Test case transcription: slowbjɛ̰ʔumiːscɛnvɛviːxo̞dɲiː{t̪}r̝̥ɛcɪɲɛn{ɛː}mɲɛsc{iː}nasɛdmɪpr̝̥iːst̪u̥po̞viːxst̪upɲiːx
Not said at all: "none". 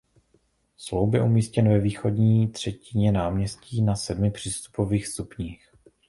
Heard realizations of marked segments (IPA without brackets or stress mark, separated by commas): t̪, aː, iː